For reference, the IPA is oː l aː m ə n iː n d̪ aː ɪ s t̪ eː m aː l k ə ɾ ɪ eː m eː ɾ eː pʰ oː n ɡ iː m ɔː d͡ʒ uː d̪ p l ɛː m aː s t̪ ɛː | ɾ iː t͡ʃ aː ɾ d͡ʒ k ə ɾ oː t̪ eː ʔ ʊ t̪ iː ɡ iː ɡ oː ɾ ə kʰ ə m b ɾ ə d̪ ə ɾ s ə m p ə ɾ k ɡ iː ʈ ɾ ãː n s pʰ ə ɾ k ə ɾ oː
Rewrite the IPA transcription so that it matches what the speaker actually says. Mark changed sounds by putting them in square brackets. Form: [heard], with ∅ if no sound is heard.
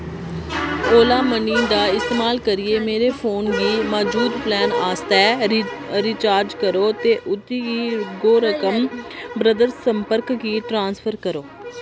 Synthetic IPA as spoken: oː l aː m ə n iː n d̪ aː ɪ s t̪ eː m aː l k ə ɾ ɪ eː m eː ɾ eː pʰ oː n ɡ iː m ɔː d͡ʒ uː d̪ p l ɛː [n] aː s t̪ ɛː | ɾ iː t͡ʃ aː ɾ d͡ʒ k ə ɾ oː t̪ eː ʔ ʊ t̪ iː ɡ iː ɡ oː ɾ ə [k] ə m b ɾ ə d̪ ə ɾ s ə m p ə ɾ k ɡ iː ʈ ɾ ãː n s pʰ ə ɾ k ə ɾ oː